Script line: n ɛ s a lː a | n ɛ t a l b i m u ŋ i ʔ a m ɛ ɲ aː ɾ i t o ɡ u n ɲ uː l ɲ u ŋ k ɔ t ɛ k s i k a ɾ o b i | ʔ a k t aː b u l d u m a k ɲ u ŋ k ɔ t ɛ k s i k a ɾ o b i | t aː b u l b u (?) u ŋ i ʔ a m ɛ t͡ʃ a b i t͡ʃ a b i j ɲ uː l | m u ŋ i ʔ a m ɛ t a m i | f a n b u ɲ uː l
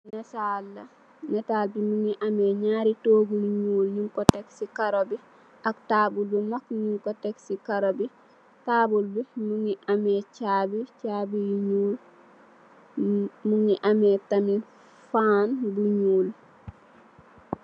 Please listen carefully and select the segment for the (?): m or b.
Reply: m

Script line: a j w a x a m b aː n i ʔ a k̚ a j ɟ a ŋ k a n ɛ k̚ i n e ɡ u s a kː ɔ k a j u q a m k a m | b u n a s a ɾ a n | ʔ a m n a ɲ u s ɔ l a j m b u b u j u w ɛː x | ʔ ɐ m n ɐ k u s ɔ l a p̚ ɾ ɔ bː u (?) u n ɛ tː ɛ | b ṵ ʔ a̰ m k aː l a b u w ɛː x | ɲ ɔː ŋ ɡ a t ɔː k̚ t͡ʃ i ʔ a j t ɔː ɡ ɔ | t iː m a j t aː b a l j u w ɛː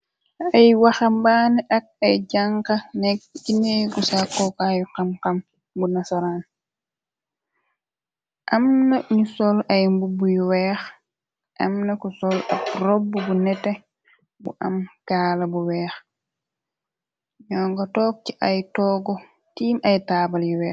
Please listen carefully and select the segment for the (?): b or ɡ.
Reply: b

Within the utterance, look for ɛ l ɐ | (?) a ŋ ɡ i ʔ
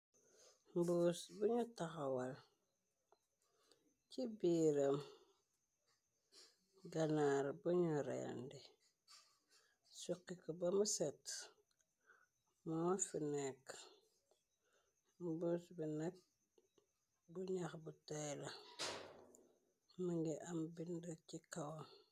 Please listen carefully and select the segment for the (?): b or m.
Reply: m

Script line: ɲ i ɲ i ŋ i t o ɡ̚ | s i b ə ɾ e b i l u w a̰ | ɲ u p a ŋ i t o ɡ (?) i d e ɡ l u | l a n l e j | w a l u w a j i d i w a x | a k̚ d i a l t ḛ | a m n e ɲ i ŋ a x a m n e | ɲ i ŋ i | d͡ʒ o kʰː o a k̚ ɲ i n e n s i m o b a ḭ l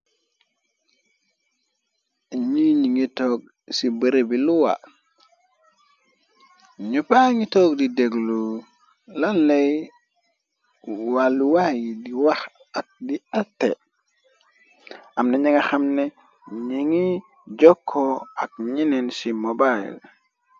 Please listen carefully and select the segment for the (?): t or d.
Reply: d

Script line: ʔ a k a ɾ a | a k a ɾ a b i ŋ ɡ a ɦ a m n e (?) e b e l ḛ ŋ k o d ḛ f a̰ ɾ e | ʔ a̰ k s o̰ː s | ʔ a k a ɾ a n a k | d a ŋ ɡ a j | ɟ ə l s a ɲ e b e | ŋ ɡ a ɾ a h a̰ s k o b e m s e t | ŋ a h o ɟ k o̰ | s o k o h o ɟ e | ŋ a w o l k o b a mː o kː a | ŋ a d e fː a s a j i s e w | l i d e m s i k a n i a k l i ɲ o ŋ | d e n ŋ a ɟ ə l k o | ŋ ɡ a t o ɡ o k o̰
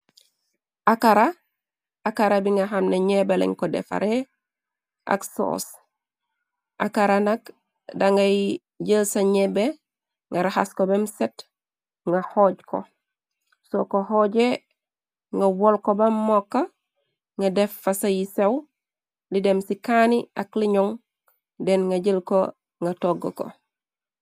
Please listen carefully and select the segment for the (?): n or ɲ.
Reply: ɲ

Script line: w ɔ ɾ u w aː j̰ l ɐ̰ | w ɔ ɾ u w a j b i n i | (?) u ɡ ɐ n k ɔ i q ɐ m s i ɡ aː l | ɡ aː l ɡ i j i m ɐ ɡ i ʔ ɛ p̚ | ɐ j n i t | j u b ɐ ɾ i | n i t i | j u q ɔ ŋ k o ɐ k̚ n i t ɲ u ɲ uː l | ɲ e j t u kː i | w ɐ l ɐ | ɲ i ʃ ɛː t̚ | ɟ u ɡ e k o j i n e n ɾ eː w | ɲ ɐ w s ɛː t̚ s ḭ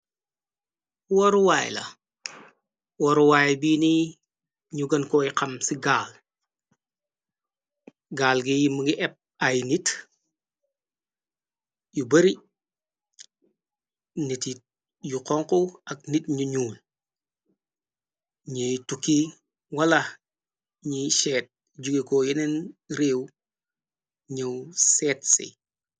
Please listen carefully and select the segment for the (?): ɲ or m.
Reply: ɲ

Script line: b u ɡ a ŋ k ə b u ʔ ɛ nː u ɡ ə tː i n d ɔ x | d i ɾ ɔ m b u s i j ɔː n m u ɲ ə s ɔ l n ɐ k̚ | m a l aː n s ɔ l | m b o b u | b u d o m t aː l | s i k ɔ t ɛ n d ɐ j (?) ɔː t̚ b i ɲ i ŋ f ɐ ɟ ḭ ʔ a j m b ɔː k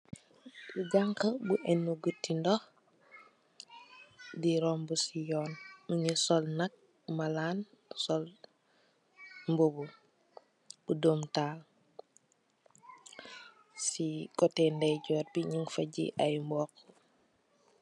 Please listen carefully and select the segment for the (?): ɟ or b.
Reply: ɟ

